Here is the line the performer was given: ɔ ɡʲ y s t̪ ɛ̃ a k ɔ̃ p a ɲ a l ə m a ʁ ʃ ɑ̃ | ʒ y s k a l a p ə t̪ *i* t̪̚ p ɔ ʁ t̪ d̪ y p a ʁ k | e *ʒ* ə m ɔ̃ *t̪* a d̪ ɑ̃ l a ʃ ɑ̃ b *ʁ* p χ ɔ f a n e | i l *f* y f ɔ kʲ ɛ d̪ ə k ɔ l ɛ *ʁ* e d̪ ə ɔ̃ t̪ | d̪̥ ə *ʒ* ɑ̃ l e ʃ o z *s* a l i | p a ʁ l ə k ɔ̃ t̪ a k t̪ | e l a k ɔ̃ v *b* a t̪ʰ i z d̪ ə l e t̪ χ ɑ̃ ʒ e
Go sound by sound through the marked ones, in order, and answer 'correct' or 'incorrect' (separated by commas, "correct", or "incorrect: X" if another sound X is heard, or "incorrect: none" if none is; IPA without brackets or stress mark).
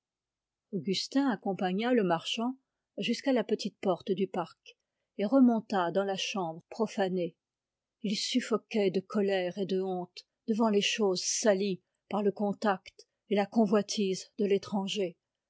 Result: correct, incorrect: ʁ, correct, correct, incorrect: s, correct, incorrect: v, correct, incorrect: w